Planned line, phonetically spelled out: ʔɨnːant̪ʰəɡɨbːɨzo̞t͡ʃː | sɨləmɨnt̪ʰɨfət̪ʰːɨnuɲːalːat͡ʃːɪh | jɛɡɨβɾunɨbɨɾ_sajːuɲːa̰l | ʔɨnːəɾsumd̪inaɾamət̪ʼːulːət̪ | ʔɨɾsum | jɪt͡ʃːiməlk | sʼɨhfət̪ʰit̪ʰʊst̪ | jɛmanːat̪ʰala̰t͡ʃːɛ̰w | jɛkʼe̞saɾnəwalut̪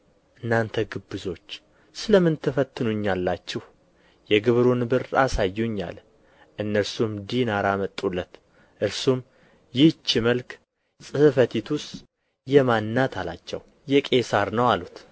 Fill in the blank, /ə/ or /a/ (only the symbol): a